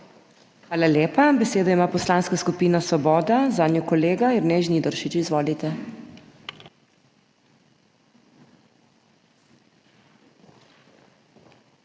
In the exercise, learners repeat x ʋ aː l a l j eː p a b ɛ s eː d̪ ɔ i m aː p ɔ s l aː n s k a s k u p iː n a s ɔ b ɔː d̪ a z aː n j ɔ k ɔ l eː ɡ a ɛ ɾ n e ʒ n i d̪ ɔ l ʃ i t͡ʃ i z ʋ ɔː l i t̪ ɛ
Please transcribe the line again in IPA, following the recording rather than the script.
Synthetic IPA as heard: x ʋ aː l a l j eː p a b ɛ s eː d̪ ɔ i m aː p ɔ s l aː n s k a s k u p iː n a s ɔ b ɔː d̪ a z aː n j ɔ k ɔ l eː ɡ a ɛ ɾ n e ʒ n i d̪ ɔ ɾ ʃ i t͡ʃ i z ʋ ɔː l i t̪ ɛ

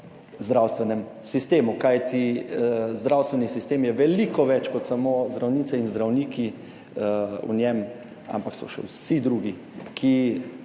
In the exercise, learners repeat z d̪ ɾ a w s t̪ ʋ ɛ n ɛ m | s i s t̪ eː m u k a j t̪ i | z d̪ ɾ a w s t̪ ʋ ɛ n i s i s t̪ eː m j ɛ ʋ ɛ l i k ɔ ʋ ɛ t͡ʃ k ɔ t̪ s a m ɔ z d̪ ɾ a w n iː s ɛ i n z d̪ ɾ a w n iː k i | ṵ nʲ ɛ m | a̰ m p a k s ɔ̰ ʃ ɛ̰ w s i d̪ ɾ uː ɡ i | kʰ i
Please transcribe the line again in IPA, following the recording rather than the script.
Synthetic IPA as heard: z d̪ ɾ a w s t̪ ʋ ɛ n ɛ m | s i s t̪ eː m u k a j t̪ i | z d̪ ɾ a w s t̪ ʋ ɛ n i s i s t̪ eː m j ɛ ʋ ɛ l i k ɔ ʋ ɛ t͡ʃ k ɔ t̪ s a m o z d̪ ɾ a w n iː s ɛ i n z d̪ ɾ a w n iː k i | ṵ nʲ ɛ m | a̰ m p a k s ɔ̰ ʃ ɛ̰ w s i d̪ ɾ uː ɡ i | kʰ i

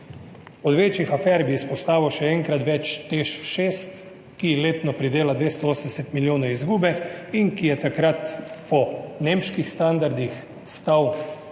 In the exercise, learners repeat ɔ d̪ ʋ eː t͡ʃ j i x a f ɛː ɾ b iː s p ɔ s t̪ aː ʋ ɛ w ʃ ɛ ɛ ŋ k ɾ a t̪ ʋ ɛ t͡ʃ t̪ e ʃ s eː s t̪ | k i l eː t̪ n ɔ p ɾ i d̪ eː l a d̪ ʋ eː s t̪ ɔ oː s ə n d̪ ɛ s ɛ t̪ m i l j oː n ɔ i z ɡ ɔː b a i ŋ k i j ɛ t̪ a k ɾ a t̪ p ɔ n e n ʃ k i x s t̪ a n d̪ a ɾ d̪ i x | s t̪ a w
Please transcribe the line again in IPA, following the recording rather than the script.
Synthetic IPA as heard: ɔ d̪ ʋ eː t͡ʃ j i x a f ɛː ɾ b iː s p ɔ s t̪ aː ʋ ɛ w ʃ ɛ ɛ ŋ k ɾ a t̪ ʋ ɛ t͡ʃ t̪ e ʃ ʃ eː s t̪ | k i l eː t̪ n ɔ p ɾ i d̪ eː l a d̪ ʋ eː s t̪ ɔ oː s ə n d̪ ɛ s ɛ t̪ m i l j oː n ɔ i z ɡ uː b ɛ i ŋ k i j ɛ t̪ a k ɾ a t̪ p ɔ n e m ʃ k i x s t̪ a n d̪ a ɾ d̪ i x | s t̪ a w

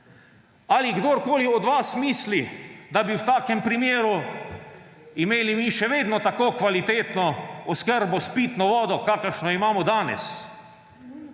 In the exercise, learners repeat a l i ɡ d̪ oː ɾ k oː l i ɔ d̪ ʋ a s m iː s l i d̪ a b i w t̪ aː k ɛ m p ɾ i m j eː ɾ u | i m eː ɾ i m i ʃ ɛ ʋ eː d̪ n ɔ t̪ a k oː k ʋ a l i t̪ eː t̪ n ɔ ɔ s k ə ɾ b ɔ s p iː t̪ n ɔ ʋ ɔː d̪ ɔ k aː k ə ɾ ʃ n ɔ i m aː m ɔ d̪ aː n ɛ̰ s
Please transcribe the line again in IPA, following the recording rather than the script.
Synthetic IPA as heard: a l i ɡ d̪ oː ɾ k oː l i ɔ d̪ ʋ a s m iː s l i d̪ a b i w t̪ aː k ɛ m p ɾ i m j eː ɾ u | i m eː l i m i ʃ ɛ ʋ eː d̪ n ɔ t̪ a k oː k ʋ a l i t̪ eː t̪ n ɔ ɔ s k ə ɾ b ɔ s p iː t̪ n ɔ ʋ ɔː d̪ ɔ k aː k ə ɾ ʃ n ɔ i m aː m ɔ d̪ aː n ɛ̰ s

